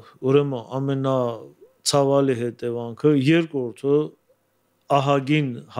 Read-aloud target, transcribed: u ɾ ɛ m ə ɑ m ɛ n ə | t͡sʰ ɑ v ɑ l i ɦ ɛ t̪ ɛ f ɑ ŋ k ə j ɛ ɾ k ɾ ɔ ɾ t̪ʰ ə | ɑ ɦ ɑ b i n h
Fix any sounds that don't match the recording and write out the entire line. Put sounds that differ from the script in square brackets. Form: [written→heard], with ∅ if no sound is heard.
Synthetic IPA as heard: u ɾ ɛ m ə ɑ m ɛ n [ə→ɑ] | t͡sʰ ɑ v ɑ l i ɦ ɛ t̪ ɛ [f→v] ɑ ŋ [k→kʰ] ə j ɛ ɾ k ɾ ɔ ɾ t̪ʰ ə | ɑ ɦ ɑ [b→ɡ] i n h